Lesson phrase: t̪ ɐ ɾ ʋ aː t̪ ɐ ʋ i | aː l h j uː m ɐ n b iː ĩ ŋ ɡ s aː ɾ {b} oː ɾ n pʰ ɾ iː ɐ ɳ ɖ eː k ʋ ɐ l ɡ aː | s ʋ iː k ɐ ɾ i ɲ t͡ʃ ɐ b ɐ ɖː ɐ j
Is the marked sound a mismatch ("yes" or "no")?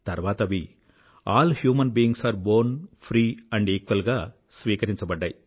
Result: no